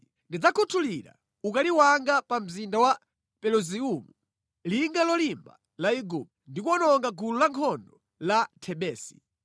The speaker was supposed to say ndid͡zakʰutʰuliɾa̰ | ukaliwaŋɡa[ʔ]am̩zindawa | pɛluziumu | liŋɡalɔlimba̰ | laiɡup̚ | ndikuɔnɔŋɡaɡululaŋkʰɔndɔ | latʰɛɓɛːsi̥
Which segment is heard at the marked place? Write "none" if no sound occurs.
p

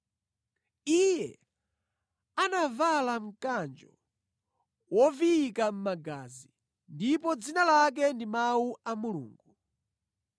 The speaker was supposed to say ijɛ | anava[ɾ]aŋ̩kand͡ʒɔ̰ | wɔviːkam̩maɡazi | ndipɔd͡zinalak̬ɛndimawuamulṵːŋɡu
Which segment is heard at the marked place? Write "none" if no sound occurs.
l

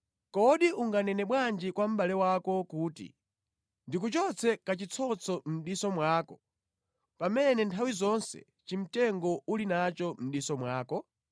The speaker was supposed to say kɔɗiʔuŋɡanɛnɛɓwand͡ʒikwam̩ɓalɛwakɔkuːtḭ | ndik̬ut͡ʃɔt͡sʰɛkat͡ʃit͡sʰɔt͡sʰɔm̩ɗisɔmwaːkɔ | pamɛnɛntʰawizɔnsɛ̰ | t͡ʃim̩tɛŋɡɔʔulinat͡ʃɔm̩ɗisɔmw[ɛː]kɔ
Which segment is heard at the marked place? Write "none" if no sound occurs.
aː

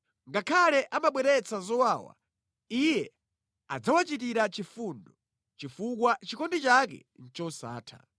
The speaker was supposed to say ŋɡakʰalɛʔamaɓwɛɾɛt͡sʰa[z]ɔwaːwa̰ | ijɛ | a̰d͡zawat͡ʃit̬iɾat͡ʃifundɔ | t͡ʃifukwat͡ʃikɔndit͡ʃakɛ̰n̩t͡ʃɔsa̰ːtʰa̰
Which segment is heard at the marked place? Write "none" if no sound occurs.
z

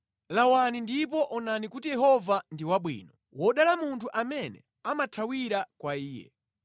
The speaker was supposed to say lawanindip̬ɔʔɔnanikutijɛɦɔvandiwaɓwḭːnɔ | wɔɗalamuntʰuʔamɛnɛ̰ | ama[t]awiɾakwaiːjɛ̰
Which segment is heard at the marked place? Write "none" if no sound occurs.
tʰ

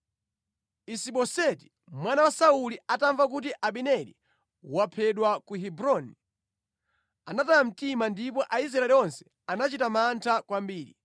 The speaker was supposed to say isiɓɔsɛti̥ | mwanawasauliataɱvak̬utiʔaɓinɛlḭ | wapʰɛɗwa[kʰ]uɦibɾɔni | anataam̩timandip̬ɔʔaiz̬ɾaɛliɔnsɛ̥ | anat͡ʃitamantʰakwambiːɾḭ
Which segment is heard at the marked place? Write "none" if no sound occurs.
k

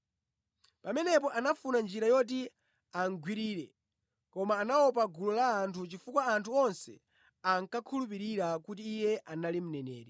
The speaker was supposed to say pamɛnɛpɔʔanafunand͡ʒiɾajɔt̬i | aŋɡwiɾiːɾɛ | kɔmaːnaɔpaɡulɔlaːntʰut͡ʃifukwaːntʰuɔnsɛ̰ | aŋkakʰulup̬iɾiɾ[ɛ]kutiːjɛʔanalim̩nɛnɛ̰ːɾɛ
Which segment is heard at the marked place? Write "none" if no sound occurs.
a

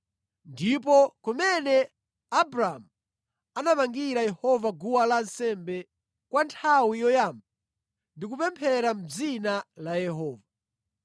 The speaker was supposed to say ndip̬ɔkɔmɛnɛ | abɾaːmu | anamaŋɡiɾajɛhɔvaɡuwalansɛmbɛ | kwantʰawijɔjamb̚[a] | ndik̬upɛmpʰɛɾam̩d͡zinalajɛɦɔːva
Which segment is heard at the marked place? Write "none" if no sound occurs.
a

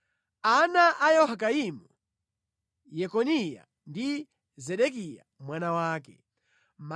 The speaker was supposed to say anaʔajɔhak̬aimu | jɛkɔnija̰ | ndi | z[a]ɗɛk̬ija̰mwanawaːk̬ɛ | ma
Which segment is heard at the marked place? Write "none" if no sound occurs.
ɛ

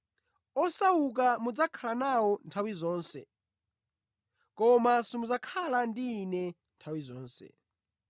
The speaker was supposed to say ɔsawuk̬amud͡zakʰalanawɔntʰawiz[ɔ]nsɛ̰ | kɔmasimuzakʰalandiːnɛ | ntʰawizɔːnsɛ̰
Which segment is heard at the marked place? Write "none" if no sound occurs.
ɔː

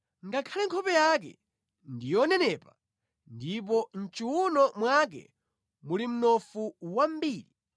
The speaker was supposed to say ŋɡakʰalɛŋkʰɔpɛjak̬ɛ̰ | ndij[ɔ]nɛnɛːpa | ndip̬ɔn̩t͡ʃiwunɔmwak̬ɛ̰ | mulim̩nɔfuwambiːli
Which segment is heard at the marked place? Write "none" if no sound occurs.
ɔ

